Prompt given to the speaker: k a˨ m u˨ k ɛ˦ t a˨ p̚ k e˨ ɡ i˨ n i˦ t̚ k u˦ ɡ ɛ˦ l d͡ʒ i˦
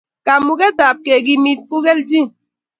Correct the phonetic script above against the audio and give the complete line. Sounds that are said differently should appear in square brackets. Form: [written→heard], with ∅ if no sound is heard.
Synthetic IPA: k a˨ m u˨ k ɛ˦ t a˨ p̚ k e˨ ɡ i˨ [n→m] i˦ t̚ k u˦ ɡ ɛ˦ l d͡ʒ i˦

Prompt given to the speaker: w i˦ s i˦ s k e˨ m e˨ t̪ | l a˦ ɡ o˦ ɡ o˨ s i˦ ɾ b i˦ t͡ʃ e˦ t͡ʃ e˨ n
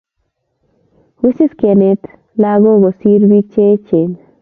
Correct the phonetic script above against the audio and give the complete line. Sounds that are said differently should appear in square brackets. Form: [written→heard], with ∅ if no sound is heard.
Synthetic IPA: w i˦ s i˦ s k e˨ [m→n] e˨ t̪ | l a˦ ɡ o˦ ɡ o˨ s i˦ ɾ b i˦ t͡ʃ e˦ t͡ʃ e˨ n

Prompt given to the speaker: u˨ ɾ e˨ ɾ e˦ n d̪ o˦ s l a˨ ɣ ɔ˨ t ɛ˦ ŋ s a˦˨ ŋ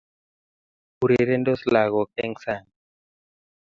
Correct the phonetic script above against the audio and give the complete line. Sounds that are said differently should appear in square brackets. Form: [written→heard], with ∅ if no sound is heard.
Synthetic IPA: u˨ ɾ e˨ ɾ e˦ n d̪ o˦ s l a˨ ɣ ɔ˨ [t→k] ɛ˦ ŋ s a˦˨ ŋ

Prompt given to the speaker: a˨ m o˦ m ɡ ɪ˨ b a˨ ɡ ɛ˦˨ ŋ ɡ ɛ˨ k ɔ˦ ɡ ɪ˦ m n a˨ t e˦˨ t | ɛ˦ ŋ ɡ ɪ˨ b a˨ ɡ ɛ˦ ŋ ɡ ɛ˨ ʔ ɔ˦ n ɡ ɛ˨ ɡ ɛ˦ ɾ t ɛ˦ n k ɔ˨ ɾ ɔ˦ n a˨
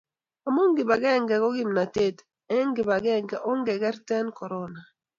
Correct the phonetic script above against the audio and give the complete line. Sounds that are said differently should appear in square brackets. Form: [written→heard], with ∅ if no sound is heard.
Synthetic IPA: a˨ m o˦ [m→ŋ] ɡ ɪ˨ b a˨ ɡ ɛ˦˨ ŋ ɡ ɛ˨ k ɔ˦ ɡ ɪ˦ m n a˨ t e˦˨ t | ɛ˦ ŋ ɡ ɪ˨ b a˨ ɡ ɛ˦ ŋ ɡ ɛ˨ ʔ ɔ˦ [n→ŋ] ɡ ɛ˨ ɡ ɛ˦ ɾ t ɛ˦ n k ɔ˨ ɾ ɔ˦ n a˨

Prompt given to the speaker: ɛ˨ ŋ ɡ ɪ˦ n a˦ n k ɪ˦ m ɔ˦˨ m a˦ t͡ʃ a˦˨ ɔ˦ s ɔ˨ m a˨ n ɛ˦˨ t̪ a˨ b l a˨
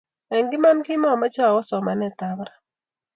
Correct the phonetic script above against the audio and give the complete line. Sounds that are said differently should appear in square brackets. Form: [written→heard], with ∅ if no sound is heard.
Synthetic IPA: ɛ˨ ŋ ɡ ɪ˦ [n→m] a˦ n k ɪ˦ m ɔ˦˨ m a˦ t͡ʃ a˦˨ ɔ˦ s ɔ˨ m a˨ n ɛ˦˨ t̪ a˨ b [l→ɾ] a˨

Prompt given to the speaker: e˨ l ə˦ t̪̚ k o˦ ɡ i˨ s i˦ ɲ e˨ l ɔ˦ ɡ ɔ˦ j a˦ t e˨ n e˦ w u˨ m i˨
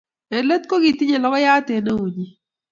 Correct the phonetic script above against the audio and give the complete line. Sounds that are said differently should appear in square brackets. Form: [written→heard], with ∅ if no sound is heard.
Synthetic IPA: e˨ l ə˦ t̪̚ k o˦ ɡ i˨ [s→t] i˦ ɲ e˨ l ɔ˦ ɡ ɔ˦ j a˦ t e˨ n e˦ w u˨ [m→ɲ] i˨

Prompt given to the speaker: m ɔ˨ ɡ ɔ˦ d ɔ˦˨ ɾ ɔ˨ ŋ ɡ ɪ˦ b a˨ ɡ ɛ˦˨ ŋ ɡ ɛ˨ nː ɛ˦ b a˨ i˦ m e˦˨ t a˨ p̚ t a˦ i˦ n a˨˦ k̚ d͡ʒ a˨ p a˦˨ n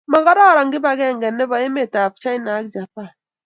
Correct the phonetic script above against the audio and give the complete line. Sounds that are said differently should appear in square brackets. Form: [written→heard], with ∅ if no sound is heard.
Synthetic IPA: m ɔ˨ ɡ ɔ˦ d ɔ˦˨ ɾ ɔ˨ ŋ ɡ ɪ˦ b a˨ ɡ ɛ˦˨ ŋ ɡ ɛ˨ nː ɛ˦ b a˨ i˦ m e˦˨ t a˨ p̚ [t→t͡ʃ] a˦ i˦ n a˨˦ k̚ d͡ʒ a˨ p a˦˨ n

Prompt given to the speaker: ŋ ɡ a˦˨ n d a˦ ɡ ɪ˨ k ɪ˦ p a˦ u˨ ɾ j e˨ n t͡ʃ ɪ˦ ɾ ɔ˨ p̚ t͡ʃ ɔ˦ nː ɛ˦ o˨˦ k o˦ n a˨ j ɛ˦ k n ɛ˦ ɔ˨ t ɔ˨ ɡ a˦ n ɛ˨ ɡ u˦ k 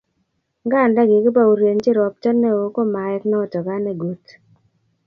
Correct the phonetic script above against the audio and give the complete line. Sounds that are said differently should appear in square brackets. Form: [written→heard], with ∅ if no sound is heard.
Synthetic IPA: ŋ ɡ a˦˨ n d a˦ ɡ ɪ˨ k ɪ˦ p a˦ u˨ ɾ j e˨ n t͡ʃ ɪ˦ ɾ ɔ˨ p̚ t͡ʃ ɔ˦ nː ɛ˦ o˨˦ k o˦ [n→m] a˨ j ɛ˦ k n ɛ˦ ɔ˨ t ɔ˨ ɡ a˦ n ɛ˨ ɡ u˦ [k→t]

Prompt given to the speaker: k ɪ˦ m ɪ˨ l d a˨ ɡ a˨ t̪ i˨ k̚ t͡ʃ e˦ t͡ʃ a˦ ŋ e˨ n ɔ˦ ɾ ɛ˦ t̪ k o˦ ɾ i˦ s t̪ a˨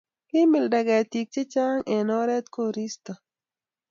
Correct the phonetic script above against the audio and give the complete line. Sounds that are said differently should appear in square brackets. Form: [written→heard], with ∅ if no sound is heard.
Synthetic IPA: k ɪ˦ m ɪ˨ l d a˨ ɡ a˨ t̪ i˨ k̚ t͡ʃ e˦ t͡ʃ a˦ ŋ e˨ n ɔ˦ ɾ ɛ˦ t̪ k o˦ ɾ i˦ s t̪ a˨

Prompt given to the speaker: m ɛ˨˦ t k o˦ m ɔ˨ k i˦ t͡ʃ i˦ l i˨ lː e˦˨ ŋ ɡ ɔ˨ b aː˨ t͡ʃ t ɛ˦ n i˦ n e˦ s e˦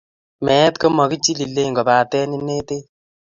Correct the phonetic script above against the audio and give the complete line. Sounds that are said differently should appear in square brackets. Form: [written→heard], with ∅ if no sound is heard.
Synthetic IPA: m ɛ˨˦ t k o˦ m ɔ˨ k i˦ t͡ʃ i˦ l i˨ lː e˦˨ ŋ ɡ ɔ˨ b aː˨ [t͡ʃ→∅] t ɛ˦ n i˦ n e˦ [s→t] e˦

